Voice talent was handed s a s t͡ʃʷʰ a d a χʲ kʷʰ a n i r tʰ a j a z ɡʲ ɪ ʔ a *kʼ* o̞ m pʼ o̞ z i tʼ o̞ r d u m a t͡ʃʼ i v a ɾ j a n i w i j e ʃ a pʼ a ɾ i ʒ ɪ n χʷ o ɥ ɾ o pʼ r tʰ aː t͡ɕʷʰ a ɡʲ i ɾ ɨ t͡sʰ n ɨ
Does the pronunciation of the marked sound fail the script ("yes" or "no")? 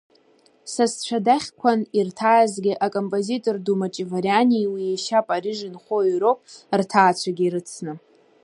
no